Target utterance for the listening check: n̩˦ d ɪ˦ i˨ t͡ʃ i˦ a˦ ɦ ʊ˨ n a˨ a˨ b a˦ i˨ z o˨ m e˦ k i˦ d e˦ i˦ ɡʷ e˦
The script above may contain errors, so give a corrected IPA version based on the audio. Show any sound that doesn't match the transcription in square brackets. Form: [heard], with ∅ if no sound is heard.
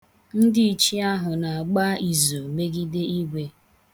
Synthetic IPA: n̩˦ d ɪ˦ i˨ t͡ʃ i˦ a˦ ɦ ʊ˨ n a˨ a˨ [ɡ͡b] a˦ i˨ z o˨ m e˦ [ɡ] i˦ d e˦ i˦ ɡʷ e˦